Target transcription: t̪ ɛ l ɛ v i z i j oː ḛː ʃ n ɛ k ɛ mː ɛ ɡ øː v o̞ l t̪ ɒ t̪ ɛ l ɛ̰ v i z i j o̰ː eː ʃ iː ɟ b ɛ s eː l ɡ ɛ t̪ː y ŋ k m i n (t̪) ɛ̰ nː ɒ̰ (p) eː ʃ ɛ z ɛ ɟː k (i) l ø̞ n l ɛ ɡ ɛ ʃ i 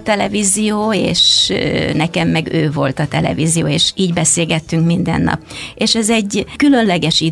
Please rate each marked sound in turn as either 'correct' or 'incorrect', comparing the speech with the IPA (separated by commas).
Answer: incorrect, correct, incorrect